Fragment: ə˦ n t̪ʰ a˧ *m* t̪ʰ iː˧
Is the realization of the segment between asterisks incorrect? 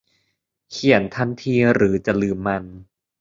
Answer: yes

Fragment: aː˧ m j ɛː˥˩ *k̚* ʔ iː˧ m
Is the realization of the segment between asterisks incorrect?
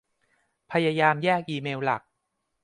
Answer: no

